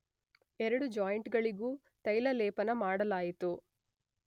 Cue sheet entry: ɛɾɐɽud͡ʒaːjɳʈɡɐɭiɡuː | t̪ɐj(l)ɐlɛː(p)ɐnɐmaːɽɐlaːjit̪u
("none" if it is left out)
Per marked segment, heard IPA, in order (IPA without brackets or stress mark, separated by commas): l, p